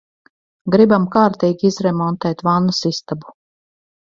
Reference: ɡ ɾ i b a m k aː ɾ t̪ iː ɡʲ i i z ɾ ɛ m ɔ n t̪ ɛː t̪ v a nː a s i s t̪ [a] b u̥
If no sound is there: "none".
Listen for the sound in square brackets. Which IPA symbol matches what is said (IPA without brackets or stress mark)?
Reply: a